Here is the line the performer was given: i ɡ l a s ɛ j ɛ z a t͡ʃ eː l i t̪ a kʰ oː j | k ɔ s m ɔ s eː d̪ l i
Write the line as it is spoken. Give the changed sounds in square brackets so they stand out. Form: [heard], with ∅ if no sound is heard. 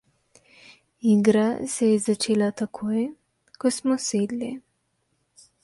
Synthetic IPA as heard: i ɡ [ɾ] a s ɛ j ɛ z a t͡ʃ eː l [a] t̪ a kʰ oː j | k ɔ s m ɔ s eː d̪ l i